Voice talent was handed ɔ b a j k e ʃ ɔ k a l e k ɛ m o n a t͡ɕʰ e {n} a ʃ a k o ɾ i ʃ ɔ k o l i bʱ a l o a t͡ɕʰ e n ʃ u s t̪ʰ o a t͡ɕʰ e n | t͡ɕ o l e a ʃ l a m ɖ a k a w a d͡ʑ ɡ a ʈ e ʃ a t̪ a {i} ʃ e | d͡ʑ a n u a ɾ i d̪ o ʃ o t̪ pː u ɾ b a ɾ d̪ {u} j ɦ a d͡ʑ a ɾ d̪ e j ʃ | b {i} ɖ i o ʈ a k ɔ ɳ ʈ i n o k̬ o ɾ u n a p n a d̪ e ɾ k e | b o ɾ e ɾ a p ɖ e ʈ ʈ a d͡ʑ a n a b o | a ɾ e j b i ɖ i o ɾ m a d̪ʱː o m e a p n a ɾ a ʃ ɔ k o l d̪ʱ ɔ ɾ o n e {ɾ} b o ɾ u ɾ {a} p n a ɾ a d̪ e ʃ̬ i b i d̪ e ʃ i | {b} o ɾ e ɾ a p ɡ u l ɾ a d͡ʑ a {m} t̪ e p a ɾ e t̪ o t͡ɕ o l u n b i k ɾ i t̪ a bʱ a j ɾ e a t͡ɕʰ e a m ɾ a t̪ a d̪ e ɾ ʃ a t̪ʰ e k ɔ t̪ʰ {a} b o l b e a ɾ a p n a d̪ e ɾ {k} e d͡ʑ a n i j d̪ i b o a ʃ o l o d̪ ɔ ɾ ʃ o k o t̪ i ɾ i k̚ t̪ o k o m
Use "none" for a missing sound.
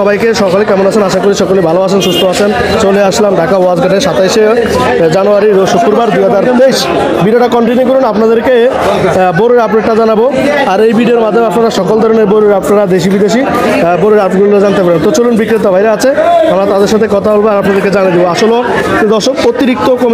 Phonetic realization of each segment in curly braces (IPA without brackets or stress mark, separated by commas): n, j, u, i, ɾ, a, b, n, a, k